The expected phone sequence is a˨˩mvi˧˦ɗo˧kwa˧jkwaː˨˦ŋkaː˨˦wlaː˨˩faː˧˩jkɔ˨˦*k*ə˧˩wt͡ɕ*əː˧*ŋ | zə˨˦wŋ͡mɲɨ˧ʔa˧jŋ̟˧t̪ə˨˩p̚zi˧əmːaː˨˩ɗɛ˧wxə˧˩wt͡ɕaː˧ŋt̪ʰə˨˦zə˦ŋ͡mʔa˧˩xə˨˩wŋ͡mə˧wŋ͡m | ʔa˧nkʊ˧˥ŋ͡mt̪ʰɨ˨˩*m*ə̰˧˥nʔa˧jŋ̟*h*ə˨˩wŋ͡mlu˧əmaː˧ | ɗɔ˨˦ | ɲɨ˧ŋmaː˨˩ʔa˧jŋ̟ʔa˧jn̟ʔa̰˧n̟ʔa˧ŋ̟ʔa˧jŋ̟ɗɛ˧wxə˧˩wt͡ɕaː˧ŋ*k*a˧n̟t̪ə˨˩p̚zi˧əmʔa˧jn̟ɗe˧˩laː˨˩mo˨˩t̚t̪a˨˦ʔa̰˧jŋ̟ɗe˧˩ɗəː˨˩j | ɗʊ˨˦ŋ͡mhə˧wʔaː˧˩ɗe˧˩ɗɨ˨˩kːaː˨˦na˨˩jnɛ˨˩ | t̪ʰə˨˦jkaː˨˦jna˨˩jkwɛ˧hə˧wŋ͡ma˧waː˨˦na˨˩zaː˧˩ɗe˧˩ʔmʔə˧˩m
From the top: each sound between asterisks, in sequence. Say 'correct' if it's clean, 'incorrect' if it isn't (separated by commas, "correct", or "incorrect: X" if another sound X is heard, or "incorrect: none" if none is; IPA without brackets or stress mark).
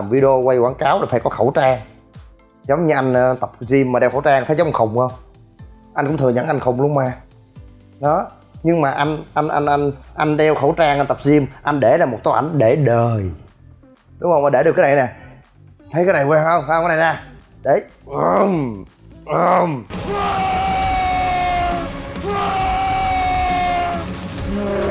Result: incorrect: x, incorrect: aː˧, incorrect: ɲ, incorrect: x, incorrect: ʔ